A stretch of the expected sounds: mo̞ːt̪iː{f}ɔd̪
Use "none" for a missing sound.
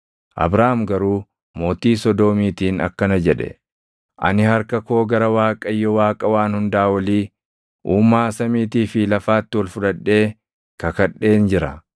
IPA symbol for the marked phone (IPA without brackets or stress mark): s